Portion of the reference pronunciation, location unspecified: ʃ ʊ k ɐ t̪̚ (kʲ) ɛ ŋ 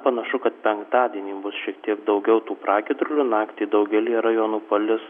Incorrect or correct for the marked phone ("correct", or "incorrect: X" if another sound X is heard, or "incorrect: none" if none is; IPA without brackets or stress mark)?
incorrect: pʲ